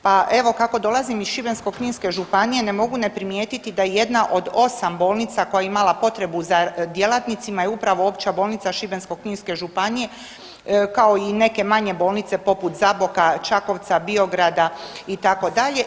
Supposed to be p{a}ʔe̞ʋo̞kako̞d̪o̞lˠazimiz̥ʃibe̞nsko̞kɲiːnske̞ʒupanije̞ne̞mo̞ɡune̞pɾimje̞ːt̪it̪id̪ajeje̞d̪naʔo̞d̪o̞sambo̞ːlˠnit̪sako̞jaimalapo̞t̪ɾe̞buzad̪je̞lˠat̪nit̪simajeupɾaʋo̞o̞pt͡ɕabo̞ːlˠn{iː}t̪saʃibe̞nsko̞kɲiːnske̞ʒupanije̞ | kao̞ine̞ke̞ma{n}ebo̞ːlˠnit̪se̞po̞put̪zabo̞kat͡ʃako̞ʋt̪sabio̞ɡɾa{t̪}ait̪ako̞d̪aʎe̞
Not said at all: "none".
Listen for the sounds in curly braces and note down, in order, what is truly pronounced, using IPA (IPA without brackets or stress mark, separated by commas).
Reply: a, i, ɲ, d̪